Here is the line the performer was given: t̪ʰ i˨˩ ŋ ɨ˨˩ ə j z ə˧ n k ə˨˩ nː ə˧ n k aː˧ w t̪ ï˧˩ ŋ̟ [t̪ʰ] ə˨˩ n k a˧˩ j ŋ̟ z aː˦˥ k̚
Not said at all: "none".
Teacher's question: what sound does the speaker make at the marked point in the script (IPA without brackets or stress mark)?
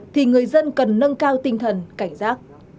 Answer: t̪ʰ